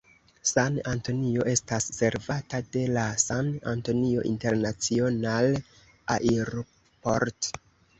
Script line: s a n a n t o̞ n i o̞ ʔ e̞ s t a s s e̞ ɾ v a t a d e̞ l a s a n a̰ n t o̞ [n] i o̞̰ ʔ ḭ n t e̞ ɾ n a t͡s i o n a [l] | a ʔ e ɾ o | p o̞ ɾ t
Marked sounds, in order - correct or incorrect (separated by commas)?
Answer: correct, correct